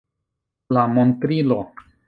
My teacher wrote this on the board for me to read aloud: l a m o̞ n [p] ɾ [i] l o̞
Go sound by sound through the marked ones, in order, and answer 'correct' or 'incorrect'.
incorrect: t, correct

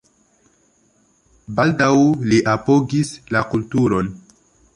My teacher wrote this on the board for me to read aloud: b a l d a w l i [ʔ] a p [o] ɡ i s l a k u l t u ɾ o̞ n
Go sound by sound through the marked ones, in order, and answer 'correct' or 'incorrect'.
correct, correct

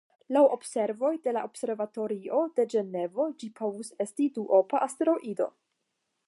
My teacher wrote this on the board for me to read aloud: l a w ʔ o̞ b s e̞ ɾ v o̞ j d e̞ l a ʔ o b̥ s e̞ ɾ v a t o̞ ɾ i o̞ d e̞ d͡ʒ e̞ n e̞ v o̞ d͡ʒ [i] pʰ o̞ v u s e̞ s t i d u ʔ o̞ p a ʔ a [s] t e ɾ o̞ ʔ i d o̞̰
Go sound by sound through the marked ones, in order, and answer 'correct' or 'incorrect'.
correct, correct

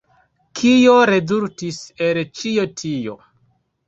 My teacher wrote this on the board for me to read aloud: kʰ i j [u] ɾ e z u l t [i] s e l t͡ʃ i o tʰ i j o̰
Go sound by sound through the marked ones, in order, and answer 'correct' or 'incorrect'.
incorrect: o, correct

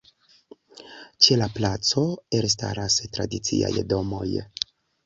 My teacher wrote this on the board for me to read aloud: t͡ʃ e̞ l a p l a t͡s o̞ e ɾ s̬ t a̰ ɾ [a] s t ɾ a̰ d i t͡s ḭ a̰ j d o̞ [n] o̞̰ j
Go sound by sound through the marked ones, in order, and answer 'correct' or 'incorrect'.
correct, incorrect: m

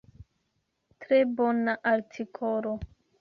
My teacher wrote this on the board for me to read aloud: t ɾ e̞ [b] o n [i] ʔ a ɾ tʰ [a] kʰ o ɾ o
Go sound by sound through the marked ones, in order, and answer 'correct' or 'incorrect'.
correct, incorrect: a, incorrect: i

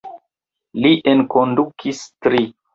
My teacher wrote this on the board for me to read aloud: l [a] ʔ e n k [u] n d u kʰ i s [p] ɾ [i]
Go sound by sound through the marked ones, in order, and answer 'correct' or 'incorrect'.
incorrect: i, incorrect: o, incorrect: t, correct

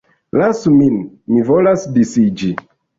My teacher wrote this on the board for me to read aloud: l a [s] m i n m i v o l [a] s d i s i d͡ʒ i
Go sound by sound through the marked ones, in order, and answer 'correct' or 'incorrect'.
correct, correct

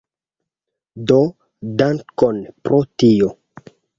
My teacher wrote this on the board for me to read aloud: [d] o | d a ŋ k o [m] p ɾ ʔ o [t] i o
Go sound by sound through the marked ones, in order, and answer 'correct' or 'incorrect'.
correct, incorrect: n, correct

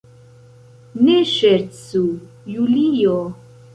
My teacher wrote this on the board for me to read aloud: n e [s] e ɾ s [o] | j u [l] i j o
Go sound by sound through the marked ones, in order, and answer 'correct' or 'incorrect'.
incorrect: ʃ, incorrect: u, correct

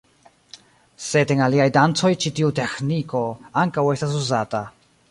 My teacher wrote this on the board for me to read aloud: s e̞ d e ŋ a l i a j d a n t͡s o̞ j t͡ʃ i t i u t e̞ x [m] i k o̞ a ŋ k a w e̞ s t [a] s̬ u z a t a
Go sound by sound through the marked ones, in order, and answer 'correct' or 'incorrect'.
incorrect: n, correct

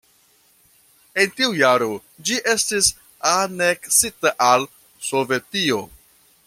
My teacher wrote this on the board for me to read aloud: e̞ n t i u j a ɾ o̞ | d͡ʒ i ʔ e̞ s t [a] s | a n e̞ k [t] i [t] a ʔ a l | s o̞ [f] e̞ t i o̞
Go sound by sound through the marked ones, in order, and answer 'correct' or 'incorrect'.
incorrect: i, incorrect: s, correct, incorrect: v

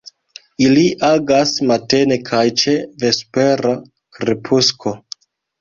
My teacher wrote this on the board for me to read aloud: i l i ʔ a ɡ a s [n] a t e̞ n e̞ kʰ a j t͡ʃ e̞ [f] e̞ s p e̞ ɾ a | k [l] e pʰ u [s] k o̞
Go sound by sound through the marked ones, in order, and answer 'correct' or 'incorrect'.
incorrect: m, incorrect: v, incorrect: ɾ, correct

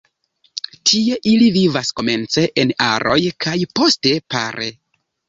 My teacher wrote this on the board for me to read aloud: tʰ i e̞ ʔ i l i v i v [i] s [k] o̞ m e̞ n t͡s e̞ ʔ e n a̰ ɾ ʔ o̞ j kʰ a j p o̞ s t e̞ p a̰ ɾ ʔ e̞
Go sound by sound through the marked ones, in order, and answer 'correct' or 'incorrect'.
incorrect: a, correct

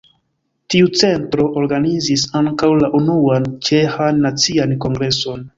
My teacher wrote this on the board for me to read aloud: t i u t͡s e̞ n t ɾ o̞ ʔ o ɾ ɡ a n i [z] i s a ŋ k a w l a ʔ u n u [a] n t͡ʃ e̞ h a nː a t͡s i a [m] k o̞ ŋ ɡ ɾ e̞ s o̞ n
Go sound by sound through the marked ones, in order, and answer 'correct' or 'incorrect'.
correct, correct, incorrect: n

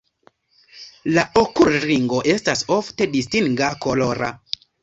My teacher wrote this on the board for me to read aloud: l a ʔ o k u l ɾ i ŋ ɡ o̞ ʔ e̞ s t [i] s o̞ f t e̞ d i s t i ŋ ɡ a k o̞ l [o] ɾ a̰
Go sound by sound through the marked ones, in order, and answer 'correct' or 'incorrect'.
incorrect: a, correct

